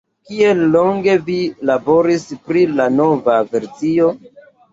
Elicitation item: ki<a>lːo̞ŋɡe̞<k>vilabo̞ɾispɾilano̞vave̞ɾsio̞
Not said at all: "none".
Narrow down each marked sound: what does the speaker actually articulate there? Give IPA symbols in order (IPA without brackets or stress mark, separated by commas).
e, none